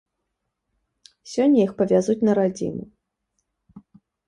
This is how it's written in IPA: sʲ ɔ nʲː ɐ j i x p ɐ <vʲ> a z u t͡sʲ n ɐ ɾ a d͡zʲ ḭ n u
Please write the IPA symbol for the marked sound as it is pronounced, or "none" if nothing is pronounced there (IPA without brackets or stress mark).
vʲ